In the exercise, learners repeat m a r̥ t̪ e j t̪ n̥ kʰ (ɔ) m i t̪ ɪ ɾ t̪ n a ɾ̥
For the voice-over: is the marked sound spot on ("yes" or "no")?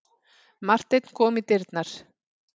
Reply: no